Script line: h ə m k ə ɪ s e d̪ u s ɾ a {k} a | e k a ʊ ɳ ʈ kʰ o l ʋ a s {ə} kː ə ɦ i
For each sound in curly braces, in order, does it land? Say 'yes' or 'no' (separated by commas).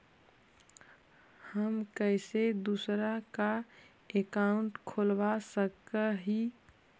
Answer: yes, yes